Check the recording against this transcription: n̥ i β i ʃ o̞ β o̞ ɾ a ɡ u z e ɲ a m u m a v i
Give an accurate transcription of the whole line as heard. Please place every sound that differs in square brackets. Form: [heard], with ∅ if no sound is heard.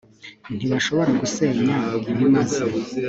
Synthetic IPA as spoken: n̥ i β [a] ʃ o̞ β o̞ ɾ a ɡ u [s] e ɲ a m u m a [z] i